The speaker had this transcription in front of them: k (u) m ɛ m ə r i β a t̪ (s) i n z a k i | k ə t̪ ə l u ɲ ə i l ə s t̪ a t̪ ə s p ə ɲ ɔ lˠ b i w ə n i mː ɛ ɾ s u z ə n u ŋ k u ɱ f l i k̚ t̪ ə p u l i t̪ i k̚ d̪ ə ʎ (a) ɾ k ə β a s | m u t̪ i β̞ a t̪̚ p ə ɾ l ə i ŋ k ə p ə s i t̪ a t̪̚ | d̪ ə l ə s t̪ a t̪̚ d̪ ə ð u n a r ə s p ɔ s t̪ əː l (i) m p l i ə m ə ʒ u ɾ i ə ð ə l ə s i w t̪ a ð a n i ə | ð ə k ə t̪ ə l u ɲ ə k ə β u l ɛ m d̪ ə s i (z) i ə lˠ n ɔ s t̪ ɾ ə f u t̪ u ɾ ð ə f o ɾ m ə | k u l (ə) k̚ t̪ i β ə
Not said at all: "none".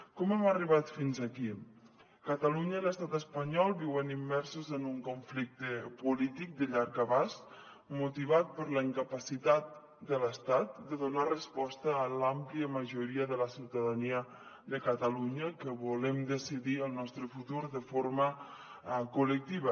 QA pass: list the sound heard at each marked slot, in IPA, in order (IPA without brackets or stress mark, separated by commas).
ɔ, f, a, a, ð, ə